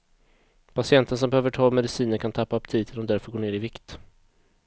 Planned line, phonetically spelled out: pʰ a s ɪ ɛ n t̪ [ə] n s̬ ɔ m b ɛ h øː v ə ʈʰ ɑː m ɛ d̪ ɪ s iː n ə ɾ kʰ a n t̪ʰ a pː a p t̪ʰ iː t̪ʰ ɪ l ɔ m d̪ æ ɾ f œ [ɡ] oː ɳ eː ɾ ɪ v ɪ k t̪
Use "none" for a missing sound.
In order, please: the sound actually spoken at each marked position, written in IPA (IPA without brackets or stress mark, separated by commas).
ə, ɡ